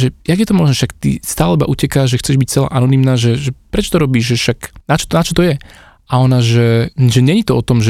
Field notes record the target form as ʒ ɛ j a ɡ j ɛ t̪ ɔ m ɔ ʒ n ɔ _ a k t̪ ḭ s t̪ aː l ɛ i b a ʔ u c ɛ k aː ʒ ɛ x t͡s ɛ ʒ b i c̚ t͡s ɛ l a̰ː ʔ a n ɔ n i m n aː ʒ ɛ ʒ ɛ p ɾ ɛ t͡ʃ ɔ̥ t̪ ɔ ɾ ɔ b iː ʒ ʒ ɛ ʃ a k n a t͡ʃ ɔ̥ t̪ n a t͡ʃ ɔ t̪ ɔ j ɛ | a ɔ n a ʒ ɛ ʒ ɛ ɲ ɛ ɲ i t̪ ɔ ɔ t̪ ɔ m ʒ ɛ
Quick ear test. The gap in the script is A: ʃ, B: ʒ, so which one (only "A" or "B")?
A